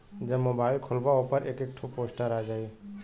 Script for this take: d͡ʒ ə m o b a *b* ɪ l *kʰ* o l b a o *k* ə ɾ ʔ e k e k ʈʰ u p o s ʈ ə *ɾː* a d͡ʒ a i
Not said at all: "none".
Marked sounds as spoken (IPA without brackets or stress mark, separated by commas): none, kʰ, p, ɾ